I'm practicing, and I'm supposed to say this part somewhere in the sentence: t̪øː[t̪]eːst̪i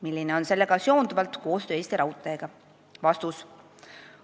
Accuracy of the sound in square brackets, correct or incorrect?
incorrect